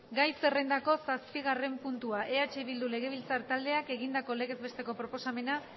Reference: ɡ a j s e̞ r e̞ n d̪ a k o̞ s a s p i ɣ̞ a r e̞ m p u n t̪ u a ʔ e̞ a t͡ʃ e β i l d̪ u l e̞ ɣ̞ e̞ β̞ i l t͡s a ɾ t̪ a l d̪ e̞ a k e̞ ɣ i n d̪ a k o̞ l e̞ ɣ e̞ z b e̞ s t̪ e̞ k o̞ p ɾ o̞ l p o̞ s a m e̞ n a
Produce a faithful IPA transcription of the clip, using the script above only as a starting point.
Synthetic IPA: ɡ a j s e̞ r e̞ n d̪ a k o̞ s a s p i ɣ̞ a r e̞ m p u n t̪ u a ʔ e̞ a t͡ʃ e β i l d̪ u l e̞ ɣ̞ e̞ β̞ i l t͡s a ɾ t̪ a l d̪ e̞ a k e̞ ɣ i n d̪ a k o̞ l e̞ ɣ e̞ z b e̞ s t̪ e̞ k o̞ p ɾ o̞ p o̞ s a m e̞ n a